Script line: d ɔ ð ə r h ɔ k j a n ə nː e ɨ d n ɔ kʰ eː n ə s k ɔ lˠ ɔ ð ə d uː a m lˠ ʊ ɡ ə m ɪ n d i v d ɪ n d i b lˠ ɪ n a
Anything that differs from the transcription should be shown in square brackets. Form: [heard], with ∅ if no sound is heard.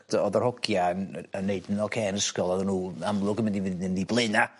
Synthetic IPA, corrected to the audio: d ɔ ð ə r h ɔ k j a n ə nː e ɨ d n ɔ kʰ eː n ə s k ɔ lˠ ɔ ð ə [n] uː a m lˠ ʊ ɡ ə m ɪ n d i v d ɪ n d i b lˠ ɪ n a